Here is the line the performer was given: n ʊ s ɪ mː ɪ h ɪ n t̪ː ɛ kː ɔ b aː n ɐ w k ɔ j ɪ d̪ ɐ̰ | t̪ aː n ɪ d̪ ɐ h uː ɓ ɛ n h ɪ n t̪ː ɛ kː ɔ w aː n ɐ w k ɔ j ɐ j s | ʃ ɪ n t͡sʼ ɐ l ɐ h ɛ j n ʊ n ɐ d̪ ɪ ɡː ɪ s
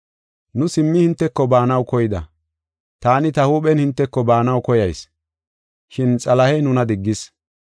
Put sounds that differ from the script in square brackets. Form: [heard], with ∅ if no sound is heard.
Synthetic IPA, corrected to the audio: n ʊ s ɪ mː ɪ h ɪ n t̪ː ɛ kː ɔ b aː n ɐ w k ɔ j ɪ d̪ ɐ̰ | t̪ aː n ɪ [t̪] ɐ h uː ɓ ɛ n h ɪ n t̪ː ɛ kː ɔ [b] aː n ɐ w k ɔ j ɐ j s | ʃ ɪ n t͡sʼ ɐ l ɐ h ɛ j n ʊ n ɐ d̪ ɪ ɡː ɪ s